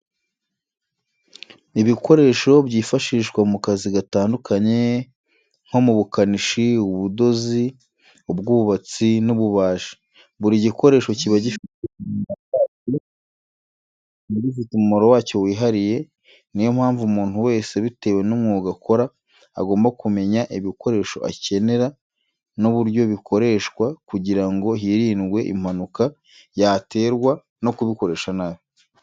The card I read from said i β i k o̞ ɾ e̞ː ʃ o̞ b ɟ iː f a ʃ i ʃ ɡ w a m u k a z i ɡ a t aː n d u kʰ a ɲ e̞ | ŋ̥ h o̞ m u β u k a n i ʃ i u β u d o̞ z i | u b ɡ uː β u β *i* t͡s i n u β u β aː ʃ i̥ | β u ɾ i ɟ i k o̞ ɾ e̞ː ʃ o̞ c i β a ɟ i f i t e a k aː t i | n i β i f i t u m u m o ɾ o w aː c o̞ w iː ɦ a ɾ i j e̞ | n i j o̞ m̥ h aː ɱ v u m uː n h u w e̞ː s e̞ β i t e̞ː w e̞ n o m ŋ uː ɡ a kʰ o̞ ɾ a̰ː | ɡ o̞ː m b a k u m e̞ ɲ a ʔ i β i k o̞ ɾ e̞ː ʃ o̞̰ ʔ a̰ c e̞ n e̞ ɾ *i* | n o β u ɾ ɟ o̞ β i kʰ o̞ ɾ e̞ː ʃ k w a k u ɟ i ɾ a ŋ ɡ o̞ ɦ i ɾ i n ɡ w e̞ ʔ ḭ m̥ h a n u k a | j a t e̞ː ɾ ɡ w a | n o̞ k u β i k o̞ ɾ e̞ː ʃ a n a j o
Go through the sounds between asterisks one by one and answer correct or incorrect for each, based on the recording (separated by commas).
incorrect, incorrect